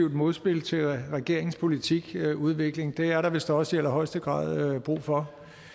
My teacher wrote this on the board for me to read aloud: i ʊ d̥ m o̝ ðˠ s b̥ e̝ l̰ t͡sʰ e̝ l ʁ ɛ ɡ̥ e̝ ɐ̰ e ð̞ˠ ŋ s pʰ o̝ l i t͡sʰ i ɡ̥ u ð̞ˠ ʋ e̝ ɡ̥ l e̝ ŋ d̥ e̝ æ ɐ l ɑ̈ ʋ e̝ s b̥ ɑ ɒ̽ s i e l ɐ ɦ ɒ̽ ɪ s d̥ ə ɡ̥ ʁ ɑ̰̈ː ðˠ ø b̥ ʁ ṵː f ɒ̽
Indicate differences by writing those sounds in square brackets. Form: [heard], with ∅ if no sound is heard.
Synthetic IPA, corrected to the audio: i ʊ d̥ m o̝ ðˠ s b̥ e̝ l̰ t͡sʰ e̝ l ʁ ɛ ɡ̥ e̝ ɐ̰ e [∅] ŋ s pʰ o̝ l i t͡sʰ i ɡ̥ u ð̞ˠ ʋ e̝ ɡ̥ l e̝ ŋ d̥ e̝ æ ɐ [ɾ] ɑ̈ ʋ e̝ s [d̥] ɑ ɒ̽ s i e l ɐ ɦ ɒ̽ ɪ s d̥ ə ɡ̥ ʁ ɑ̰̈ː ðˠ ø b̥ ʁ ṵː f ɒ̽